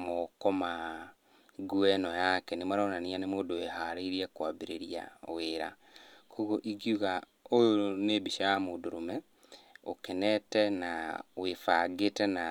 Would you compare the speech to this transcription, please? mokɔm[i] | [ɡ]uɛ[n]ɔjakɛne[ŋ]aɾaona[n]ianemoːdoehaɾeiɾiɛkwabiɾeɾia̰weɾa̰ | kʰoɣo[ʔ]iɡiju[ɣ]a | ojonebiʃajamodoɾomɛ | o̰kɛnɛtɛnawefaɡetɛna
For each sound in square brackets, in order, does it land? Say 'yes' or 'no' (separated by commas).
no, yes, yes, no, yes, yes, yes